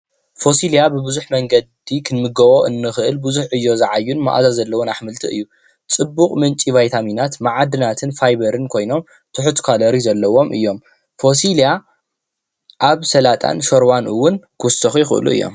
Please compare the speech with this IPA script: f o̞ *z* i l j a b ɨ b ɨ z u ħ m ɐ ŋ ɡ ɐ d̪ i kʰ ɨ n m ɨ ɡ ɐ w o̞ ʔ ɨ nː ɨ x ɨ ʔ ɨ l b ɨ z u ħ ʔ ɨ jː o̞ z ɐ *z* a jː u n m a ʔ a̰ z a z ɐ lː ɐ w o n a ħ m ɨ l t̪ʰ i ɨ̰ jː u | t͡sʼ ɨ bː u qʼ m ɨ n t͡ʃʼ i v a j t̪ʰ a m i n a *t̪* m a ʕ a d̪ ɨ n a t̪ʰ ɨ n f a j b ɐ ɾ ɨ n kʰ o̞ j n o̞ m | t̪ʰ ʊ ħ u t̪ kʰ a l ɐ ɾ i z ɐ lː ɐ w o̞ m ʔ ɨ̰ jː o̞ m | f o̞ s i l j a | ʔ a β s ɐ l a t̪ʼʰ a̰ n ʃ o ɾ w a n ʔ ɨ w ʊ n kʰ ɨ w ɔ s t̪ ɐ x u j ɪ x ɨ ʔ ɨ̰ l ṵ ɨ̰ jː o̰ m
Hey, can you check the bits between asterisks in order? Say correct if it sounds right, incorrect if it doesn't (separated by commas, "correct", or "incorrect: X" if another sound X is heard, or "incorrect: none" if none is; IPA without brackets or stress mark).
incorrect: s, incorrect: ʕ, correct